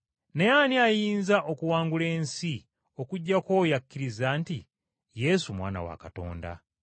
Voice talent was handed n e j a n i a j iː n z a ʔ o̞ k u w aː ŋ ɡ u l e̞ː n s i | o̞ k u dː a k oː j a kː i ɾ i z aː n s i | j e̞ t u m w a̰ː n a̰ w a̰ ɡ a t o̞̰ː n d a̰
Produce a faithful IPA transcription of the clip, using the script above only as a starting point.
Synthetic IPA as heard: n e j a n i a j iː n z a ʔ o̞ k u w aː ŋ ɡ u l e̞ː n s i | o̞ k u ɟː a k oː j a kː i ɾ i z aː n t i | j e̞ s u m w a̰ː n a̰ w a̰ k a t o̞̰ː n d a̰